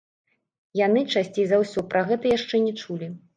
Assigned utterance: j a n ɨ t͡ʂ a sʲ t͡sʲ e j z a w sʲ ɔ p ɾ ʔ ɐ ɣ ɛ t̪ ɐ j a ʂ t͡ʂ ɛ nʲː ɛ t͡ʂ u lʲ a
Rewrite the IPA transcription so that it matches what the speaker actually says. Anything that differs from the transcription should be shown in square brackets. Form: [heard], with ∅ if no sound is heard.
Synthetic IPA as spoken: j a n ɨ t͡ʂ a sʲ t͡sʲ e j z a w sʲ ɔ p ɾ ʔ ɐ ɣ ɛ t̪ ɐ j a ʂ t͡ʂ ɛ [nʲ] ɛ t͡ʂ u lʲ [i]